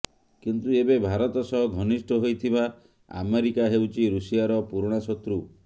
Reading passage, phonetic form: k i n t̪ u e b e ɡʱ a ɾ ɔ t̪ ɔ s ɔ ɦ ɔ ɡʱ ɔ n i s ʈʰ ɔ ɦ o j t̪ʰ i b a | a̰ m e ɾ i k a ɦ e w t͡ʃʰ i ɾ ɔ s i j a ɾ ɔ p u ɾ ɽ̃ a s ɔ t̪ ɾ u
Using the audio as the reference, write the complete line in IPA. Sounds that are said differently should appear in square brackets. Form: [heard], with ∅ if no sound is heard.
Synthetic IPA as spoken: k i n t̪ u e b e [bʱ] a ɾ ɔ t̪ ɔ s ɔ ɦ ɔ ɡʱ ɔ n i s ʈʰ ɔ ɦ o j t̪ʰ i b a | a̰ m e ɾ i k a ɦ e w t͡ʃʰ i ɾ [u] s i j a ɾ ɔ p u ɾ ɽ̃ a s ɔ t̪ ɾ u